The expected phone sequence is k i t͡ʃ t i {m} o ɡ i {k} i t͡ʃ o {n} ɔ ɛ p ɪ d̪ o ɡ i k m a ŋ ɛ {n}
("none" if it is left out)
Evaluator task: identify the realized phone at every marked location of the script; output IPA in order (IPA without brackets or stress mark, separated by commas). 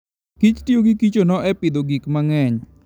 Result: none, k, n, ɲ